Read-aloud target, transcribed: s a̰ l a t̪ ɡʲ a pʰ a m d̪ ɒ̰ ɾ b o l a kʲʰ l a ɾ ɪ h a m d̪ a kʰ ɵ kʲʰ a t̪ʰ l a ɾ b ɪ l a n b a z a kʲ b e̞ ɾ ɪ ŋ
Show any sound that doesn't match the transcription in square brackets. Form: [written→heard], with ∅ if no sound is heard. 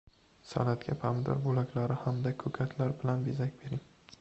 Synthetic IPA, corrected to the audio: s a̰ l a t̪ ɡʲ a pʰ a m d̪ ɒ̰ ɾ b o l a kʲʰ l a ɾ ɪ h a m d̪ a kʰ ɵ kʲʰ a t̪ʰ l a ɾ b ɪ l a n b [a→e] z a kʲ b e̞ ɾ ɪ ŋ